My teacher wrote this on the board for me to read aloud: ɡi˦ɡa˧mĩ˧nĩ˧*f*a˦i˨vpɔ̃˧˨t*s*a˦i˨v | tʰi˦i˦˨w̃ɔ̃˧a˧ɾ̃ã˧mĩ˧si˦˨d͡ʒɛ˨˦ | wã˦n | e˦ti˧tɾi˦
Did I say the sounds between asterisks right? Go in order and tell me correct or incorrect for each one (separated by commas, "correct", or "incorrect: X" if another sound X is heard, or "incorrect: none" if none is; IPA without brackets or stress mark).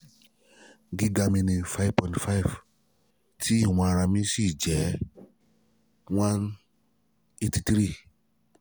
correct, incorrect: f